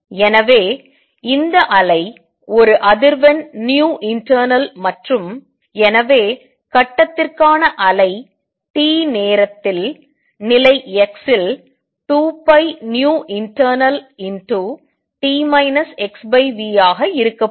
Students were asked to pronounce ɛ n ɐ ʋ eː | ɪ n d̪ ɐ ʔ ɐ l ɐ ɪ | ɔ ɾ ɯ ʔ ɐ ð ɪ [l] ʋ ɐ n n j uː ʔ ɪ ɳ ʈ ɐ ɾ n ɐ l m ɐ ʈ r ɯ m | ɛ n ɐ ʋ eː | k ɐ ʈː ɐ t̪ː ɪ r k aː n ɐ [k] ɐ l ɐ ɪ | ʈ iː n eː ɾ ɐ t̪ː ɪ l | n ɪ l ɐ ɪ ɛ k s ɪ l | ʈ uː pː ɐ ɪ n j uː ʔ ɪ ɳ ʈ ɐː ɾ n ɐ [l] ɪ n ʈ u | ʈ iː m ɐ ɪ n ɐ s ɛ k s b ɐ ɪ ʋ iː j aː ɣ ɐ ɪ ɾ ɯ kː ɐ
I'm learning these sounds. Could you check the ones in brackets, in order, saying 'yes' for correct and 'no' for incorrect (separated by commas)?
no, no, yes